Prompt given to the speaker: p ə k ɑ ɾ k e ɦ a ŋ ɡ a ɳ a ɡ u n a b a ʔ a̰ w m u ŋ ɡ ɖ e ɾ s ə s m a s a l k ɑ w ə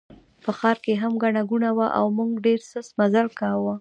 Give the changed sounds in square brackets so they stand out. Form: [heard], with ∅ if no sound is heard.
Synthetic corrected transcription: p ə [x] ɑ ɾ k e ɦ a [m] ɡ a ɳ a ɡ u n a [w] a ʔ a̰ w m u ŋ ɡ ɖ e ɾ s ə s m a [z] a l k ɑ w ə